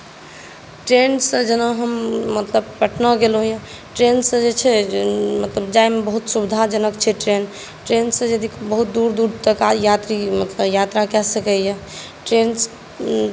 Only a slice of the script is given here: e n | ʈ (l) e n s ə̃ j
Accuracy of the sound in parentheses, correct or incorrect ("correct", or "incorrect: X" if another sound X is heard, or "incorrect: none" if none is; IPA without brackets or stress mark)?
incorrect: ɾ